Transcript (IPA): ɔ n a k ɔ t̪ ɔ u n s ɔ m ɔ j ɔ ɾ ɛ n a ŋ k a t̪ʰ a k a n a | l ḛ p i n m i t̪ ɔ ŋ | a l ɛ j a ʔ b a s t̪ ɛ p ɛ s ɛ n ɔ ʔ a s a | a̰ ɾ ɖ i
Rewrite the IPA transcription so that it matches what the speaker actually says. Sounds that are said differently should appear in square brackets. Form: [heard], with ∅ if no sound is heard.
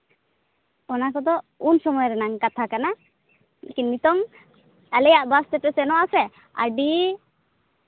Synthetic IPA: ɔ n a k ɔ [d̪] ɔ u n s ɔ m ɔ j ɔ ɾ ɛ n a ŋ k a t̪ʰ a k a n a | l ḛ [k] i n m i t̪ ɔ ŋ | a l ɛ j a ʔ b a s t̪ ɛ p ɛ s ɛ n ɔ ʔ a s [ɛ] | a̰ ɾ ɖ i